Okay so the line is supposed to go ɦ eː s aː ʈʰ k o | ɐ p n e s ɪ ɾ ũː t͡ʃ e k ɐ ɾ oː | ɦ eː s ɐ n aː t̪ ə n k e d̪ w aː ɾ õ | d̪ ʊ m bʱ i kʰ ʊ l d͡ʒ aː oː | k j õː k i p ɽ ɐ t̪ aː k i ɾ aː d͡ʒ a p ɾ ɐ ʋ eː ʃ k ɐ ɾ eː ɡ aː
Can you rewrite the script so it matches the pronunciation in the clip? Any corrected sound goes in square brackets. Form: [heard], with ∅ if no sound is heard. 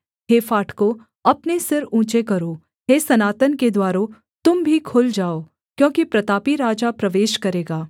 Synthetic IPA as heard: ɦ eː [f] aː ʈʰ k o | ɐ p n e s ɪ ɾ ũː t͡ʃ e k ɐ ɾ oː | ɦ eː s ɐ n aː t̪ ə n k e d̪ w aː ɾ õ | [t̪] ʊ m bʱ i kʰ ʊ l d͡ʒ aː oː | k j õː k i p [ɾ] ɐ t̪ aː [p] i ɾ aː d͡ʒ a p ɾ ɐ ʋ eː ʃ k ɐ ɾ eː ɡ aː